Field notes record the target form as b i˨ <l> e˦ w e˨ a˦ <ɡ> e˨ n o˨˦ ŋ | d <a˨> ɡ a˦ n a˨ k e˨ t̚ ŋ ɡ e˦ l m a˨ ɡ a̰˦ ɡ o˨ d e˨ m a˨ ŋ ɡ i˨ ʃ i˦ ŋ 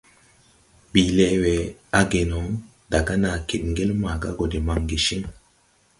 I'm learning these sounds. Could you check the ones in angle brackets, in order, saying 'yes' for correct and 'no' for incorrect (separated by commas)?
yes, yes, yes